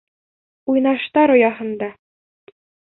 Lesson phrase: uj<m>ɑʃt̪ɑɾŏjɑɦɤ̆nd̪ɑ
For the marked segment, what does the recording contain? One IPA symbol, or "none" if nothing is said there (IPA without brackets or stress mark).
n